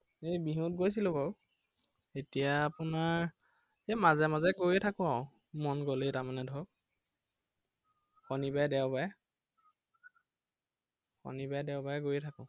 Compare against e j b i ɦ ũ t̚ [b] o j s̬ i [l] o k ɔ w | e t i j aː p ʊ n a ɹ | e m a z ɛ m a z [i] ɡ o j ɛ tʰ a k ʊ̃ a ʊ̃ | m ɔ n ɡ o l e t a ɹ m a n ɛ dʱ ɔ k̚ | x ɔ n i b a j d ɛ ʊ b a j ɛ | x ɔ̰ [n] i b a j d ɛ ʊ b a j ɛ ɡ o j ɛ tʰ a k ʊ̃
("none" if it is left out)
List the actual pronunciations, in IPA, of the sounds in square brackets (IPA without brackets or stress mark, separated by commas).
ɡ, l, ɛ, n